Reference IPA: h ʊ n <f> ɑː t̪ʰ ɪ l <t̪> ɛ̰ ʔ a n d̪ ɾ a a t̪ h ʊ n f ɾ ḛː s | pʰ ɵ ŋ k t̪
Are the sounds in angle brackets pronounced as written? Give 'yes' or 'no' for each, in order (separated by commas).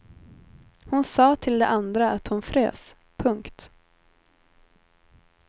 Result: no, no